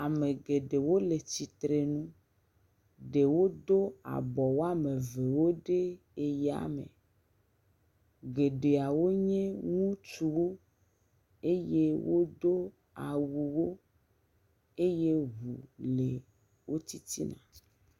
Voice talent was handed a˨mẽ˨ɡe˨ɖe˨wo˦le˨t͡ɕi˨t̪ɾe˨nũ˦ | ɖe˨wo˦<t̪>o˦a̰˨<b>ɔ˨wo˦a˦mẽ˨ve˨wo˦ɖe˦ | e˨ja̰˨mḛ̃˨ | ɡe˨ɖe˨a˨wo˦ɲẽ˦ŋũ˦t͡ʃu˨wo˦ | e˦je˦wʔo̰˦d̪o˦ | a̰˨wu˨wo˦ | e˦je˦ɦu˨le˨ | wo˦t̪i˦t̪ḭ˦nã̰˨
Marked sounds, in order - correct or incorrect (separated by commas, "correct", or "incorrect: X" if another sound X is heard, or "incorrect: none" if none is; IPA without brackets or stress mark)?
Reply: incorrect: d̪, correct